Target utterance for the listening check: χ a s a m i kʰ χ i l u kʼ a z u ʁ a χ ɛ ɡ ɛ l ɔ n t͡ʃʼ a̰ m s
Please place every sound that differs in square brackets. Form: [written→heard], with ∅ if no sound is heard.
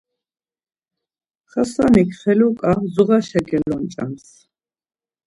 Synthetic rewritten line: χ a s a [m→n] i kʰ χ [i→ɛ] l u kʼ a z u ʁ a [χ→ʃ] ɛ ɡ ɛ l ɔ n t͡ʃʼ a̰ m s